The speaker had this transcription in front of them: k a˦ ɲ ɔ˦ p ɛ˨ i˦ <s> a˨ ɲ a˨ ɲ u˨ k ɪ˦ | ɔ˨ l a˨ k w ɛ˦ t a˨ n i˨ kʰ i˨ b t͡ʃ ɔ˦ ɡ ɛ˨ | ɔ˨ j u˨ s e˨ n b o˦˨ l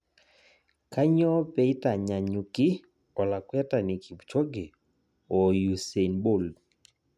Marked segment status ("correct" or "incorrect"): incorrect